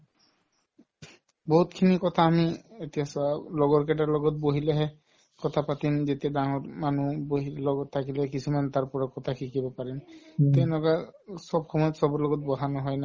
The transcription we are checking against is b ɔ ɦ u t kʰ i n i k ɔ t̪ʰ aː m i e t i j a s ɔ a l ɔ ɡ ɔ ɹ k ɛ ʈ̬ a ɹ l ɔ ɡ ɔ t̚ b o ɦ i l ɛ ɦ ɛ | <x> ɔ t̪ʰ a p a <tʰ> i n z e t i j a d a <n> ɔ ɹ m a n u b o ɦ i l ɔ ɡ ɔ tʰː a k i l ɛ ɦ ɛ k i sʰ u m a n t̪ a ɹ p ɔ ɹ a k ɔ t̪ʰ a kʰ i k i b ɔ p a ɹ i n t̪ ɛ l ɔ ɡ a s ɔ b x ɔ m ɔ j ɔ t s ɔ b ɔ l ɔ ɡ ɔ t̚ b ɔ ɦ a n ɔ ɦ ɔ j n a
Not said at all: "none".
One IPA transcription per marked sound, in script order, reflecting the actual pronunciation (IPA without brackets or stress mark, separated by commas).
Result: k, t, ŋ